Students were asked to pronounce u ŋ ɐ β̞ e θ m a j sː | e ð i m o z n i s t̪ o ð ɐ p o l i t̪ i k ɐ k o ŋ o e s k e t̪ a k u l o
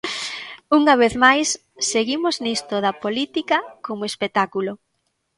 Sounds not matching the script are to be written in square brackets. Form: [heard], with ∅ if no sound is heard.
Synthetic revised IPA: u ŋ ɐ β̞ e θ m a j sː | e [ɣ] i m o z n i s t̪ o ð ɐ p o l i t̪ i k ɐ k o [m] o e s [p] e t̪ a k u l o